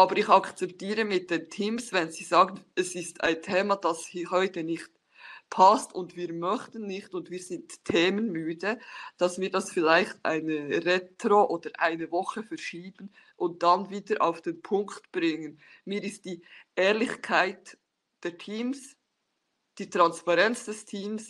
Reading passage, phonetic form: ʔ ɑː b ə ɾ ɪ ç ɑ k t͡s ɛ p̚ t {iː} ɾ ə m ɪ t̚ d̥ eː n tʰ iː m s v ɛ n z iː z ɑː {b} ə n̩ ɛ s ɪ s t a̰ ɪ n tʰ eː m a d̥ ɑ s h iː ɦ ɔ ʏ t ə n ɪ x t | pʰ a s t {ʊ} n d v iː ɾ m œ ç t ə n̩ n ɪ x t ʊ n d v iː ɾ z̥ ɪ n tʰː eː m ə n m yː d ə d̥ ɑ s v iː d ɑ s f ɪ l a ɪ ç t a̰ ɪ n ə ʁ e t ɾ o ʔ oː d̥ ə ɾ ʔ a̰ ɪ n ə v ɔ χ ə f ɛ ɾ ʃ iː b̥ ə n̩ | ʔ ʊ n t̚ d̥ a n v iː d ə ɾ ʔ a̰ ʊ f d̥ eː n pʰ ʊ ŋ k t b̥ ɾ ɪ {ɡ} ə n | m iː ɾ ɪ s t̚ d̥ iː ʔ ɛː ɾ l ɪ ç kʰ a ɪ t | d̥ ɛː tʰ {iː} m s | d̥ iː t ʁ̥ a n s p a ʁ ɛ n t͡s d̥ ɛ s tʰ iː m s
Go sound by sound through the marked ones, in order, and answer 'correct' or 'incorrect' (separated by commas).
correct, incorrect, correct, incorrect, correct